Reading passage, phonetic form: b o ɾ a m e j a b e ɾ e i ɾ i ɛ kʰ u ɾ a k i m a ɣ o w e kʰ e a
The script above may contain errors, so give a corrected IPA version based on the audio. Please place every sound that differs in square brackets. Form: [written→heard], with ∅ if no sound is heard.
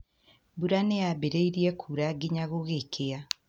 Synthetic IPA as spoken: b [o→u] ɾ a [m→n] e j a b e ɾ e i ɾ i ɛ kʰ u ɾ a [k→ɡ] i [m→ɲ] a ɣ o [w→ɣ] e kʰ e a